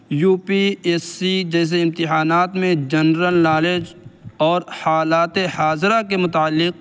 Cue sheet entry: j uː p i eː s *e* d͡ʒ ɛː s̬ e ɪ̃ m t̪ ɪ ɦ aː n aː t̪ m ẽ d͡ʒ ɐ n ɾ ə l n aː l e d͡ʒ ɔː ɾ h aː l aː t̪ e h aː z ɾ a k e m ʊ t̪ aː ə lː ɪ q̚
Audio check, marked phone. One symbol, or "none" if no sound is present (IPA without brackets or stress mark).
i